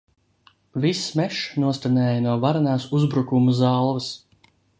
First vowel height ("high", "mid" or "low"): high